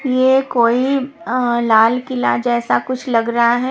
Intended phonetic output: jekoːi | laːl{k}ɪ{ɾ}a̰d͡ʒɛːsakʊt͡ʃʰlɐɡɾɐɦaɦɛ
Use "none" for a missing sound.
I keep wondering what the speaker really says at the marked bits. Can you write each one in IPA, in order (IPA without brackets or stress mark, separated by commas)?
k, l